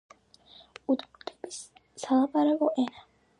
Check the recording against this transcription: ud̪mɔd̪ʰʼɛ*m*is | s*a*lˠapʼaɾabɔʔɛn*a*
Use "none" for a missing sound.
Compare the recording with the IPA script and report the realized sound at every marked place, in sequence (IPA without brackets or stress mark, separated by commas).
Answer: b, a, a